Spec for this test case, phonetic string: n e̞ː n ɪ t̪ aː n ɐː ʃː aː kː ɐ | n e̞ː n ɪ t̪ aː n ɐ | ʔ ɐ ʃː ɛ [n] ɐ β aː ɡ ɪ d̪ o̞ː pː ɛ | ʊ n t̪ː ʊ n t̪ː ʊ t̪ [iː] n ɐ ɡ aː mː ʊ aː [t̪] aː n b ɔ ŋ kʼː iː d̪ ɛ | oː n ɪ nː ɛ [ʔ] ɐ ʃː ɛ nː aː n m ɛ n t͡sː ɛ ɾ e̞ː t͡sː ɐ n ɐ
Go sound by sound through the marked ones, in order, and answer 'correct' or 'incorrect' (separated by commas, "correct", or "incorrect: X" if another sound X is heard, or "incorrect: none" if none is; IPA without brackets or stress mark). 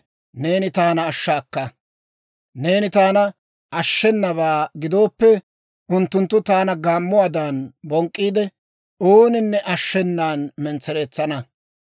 incorrect: nː, incorrect: aː, incorrect: d̪, correct